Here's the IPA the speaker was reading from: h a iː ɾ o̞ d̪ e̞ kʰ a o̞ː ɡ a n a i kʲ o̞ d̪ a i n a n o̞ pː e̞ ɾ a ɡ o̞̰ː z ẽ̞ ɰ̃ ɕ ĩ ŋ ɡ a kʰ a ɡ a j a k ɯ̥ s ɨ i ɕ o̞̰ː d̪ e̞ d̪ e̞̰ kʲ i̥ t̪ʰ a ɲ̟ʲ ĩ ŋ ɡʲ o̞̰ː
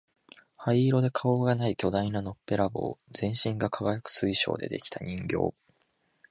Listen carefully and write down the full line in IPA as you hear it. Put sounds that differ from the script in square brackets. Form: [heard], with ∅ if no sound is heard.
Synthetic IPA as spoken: h a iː ɾ o̞ d̪ e̞ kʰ a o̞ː ɡ a n a i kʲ o̞ d̪ a i n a n o̞ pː e̞ ɾ a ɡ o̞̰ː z ẽ̞ ɰ̃ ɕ ĩ ŋ ɡ a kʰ a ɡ a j a k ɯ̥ s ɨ i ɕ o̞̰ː d̪ e̞ d̪ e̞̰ kʲ i̥ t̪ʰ a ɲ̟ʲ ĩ ŋ ɡʲ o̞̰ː